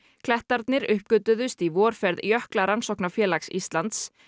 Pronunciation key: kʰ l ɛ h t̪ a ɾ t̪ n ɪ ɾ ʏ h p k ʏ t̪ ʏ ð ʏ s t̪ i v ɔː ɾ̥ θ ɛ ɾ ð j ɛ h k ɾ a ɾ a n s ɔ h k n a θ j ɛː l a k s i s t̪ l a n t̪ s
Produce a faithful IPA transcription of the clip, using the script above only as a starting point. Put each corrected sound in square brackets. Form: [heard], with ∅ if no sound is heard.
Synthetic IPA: kʰ l ɛ h t̪ a ɾ t̪ n ɪ ɾ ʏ h p k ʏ t̪ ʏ ð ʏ s t̪ i v ɔː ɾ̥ [f] ɛ ɾ ð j [œ] h k [l] a ɾ a n s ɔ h k n a [f] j ɛː l a k s i s t̪ l a n t̪ s